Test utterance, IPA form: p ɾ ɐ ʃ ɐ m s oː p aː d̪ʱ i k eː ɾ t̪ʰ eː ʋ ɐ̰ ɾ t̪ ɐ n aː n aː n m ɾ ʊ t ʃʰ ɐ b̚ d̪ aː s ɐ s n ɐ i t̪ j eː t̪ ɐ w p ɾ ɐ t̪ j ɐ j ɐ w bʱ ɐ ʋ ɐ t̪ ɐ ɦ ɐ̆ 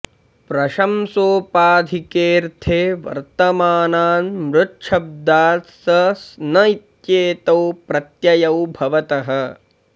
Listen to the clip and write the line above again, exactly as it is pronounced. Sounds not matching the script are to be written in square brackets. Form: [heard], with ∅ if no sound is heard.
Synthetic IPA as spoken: p ɾ ɐ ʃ ɐ m s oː p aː d̪ʱ i k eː ɾ t̪ʰ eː ʋ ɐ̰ ɾ t̪ ɐ [m] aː n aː n m ɾ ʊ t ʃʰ ɐ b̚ d̪ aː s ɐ s n ɐ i t̪ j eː t̪ ɐ w p ɾ ɐ t̪ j ɐ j ɐ w bʱ ɐ ʋ ɐ t̪ ɐ ɦ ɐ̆